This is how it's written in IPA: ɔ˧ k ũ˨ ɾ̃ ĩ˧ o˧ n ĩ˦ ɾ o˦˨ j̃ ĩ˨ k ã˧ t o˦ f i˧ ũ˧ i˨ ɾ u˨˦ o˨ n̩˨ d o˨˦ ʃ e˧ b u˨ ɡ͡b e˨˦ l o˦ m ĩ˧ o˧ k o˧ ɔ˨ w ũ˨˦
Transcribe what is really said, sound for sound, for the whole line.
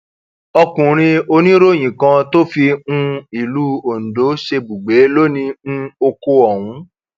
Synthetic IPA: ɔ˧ k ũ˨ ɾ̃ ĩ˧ o˧ n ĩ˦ ɾ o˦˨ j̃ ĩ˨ k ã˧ t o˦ f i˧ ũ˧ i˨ l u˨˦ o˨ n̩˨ d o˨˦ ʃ e˧ b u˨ ɡ͡b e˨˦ l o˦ n ĩ˧ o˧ k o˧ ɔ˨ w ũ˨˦